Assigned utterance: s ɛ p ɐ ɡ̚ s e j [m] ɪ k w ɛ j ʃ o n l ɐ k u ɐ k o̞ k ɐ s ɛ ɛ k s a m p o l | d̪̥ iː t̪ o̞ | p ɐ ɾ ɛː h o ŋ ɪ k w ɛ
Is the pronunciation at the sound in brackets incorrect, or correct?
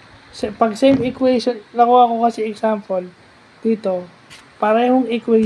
correct